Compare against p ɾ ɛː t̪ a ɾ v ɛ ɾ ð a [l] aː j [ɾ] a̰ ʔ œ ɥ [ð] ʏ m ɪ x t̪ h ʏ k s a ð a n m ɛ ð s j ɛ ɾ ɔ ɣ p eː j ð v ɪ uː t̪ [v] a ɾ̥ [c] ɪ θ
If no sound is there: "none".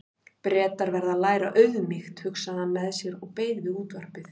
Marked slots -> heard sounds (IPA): l, ɾ, ð, v, p

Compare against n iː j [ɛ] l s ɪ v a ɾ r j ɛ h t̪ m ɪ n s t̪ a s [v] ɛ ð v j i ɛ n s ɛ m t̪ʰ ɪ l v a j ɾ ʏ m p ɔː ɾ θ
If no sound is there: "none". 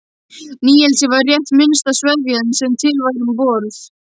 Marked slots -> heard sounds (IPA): ɛ, v

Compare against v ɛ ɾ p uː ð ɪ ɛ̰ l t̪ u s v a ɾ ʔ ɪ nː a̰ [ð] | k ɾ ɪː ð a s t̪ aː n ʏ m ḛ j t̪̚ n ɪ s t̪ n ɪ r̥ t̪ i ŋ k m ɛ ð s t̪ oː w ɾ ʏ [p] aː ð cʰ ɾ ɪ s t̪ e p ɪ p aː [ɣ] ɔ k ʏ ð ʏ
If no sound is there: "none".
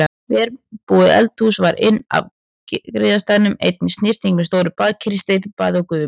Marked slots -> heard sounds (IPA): v, p, ð

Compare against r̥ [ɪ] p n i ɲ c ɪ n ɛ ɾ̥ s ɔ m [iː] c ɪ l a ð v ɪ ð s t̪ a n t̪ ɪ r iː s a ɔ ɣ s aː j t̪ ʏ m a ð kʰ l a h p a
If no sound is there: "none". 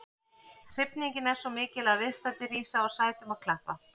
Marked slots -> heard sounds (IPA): ɪ, ɪː

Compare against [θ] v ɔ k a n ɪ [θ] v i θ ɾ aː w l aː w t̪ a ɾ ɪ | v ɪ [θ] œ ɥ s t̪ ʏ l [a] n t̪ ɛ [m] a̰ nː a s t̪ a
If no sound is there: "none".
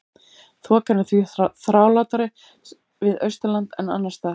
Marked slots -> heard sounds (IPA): θ, θ, ð, a, n

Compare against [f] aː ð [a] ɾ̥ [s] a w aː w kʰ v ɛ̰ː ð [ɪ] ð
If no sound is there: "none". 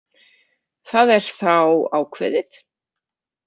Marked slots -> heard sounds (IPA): θ, ɛ, θ, ɪ

